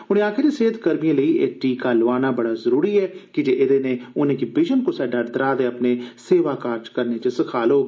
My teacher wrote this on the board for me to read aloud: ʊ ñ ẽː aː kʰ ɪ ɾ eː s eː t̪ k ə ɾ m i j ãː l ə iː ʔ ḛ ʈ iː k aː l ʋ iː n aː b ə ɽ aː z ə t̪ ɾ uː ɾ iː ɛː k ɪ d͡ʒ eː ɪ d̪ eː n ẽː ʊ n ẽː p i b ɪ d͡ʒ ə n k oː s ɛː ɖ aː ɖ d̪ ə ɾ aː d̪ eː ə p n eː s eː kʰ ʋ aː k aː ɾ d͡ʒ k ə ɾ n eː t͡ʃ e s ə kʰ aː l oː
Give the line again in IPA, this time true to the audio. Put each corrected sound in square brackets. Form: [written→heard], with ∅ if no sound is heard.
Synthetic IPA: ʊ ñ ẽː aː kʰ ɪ ɾ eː s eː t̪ k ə ɾ m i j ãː l ə iː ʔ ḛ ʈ iː k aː l ʋ [iː→aː] n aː b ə ɽ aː z ə [t̪→∅] ɾ uː ɾ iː ɛː k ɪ d͡ʒ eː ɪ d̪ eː n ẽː ʊ n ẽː [p→k] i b ɪ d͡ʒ ə n k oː s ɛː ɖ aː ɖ d̪ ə ɾ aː d̪ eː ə p n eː s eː [kʰ→∅] ʋ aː k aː ɾ d͡ʒ k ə ɾ n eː t͡ʃ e s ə kʰ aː l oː